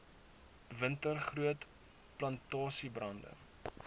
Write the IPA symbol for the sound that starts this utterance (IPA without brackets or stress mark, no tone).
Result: v